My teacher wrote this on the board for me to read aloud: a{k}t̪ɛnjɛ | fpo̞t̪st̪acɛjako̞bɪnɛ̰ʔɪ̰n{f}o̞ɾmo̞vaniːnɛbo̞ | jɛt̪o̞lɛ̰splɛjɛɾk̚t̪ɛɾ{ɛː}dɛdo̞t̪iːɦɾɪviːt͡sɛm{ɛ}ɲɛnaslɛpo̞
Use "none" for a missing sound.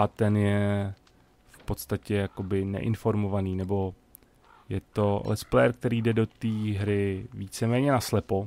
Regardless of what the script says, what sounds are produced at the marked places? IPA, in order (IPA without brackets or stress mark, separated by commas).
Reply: none, f, iː, ɛː